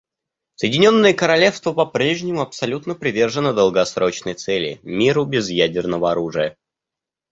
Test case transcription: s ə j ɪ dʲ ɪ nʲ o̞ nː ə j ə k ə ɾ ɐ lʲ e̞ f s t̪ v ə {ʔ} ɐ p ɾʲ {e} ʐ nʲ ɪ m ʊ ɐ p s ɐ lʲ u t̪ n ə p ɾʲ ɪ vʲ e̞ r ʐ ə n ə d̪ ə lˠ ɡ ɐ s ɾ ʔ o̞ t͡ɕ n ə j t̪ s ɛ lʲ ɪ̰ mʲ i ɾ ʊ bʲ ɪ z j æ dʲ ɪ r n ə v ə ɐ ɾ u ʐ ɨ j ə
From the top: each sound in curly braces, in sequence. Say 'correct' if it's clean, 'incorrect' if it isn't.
incorrect: p, correct

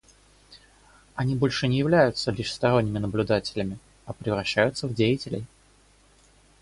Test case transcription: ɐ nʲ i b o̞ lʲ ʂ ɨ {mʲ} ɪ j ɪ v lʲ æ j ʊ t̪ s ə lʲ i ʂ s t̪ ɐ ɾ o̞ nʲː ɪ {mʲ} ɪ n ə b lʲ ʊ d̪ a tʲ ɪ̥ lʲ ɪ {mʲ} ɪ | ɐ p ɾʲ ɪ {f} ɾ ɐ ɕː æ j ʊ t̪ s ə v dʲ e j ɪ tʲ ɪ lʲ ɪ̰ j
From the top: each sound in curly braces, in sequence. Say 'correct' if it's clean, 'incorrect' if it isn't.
incorrect: nʲ, correct, correct, incorrect: v

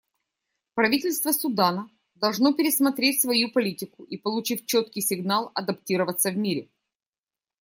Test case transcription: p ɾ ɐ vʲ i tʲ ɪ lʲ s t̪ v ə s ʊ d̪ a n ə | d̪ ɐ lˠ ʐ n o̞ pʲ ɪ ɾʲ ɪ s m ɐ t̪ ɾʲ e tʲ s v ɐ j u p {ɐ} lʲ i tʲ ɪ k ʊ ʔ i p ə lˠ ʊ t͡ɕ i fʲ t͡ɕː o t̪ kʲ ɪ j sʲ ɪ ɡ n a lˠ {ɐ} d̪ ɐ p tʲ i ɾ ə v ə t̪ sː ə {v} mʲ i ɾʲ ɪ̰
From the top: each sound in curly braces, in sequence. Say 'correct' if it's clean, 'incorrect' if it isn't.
correct, correct, correct

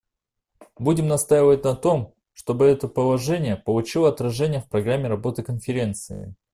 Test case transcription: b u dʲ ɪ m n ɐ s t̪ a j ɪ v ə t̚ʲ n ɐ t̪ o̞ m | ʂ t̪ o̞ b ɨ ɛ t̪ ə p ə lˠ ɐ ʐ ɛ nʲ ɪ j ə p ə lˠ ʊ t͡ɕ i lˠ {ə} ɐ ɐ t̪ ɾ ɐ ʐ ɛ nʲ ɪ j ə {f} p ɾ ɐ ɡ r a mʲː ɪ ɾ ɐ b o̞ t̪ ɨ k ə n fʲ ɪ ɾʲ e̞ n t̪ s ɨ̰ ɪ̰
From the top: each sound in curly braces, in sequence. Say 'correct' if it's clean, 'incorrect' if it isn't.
correct, correct

